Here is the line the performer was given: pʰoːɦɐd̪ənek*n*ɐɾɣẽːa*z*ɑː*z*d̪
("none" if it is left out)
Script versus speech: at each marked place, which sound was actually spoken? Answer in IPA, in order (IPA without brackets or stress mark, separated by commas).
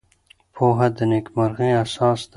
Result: m, s, s